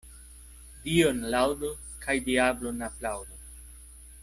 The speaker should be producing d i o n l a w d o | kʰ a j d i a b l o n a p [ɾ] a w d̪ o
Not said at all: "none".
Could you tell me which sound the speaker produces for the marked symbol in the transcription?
l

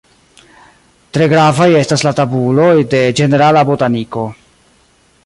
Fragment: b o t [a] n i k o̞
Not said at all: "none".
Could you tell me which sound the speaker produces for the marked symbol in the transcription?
a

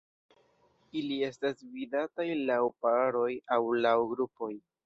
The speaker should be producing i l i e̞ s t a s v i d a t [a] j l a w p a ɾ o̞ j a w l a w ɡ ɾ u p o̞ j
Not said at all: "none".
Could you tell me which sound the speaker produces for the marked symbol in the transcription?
a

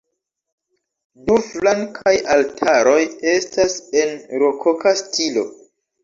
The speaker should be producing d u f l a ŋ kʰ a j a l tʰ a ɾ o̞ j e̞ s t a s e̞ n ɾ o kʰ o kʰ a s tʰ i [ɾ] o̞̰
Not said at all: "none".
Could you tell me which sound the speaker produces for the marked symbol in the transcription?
l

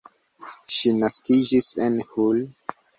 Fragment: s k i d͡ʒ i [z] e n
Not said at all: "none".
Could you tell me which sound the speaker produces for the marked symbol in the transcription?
s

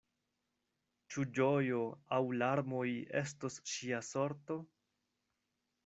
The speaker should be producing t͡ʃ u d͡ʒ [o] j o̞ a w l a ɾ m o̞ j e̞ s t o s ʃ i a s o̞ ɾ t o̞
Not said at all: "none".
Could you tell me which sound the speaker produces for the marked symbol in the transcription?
o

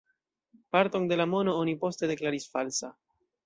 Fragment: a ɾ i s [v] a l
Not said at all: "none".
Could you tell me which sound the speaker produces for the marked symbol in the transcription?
f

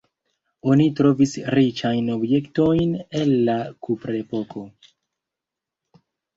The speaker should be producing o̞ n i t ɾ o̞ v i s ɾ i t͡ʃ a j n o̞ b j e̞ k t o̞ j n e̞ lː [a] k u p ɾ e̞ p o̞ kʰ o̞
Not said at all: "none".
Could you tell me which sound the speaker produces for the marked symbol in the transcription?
a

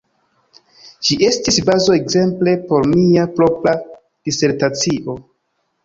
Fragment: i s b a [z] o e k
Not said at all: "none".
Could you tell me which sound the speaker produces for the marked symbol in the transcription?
z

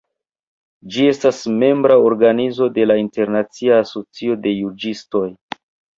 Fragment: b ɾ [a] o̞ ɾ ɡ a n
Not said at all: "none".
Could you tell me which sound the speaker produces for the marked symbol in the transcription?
a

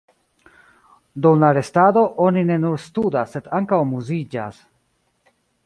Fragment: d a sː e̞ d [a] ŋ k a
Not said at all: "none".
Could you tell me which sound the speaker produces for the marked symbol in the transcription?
a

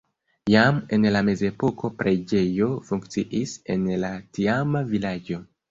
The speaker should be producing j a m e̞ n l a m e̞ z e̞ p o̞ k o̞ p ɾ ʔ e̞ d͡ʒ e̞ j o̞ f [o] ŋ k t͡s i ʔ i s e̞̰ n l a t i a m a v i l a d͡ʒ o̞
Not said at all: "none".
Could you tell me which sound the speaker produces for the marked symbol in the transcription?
u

